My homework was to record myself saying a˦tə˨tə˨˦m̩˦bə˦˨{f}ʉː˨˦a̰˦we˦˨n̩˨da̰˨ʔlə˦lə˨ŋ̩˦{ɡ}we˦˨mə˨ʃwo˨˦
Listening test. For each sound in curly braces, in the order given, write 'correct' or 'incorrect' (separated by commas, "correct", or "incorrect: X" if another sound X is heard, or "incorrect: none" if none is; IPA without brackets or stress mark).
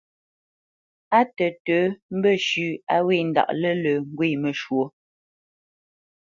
incorrect: ʃ, correct